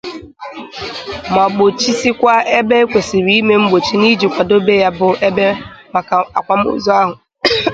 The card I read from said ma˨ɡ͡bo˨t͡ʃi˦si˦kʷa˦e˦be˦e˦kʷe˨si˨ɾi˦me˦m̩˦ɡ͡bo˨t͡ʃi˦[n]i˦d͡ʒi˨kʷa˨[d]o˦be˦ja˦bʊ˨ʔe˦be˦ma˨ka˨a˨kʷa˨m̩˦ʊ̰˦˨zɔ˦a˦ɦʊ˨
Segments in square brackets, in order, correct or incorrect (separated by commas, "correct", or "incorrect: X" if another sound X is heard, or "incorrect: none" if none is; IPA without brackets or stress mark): correct, correct